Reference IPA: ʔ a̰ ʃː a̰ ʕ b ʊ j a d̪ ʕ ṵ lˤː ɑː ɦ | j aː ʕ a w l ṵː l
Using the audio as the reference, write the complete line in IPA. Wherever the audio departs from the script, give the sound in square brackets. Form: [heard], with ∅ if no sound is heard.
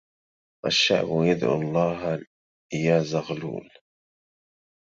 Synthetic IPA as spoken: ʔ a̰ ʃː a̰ ʕ b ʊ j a d̪ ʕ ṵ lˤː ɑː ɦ | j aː [z] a [ɣ] l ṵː l